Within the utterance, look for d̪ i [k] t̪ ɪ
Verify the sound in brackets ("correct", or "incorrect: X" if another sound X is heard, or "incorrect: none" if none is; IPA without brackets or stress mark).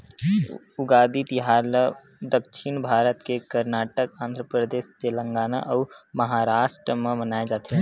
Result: incorrect: none